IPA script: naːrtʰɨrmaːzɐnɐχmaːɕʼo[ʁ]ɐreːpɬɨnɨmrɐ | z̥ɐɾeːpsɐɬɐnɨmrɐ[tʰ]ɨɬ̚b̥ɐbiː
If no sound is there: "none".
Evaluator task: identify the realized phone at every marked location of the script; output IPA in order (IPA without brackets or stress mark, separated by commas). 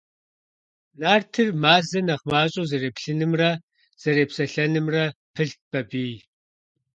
z, pʰ